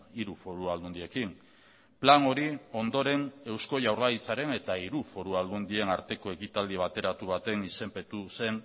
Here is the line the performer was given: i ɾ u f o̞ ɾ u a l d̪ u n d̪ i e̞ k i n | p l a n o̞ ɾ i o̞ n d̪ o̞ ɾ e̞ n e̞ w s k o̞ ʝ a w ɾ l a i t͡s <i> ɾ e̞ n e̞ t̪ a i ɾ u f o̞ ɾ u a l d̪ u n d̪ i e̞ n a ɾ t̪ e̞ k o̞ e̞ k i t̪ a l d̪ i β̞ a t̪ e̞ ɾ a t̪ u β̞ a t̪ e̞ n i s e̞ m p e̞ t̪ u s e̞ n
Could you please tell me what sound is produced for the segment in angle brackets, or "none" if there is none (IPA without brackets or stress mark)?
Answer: a